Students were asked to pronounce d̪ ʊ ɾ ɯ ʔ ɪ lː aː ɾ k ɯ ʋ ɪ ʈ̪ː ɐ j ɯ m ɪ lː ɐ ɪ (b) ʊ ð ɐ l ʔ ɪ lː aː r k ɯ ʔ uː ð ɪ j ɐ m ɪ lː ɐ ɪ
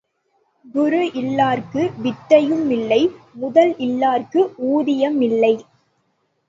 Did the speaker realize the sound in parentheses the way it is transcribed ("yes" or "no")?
no